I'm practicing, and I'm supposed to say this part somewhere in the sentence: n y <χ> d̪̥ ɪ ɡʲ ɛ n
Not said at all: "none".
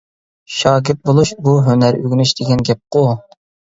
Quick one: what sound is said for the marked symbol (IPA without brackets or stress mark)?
ʃ